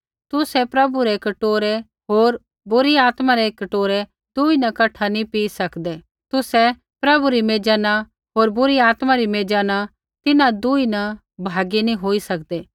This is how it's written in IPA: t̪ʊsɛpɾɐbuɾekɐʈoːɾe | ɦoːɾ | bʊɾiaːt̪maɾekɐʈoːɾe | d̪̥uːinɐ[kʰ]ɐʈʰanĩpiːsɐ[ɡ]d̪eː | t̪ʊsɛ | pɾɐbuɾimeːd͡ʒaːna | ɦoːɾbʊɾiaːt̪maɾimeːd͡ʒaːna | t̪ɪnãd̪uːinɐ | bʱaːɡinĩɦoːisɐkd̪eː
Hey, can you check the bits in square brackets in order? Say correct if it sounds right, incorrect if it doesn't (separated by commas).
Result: incorrect, incorrect